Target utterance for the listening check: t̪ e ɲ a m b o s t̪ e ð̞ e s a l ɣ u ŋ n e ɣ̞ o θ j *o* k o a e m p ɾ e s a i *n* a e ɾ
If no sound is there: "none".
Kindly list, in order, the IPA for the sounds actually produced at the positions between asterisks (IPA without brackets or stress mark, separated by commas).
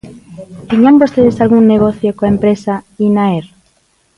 o, n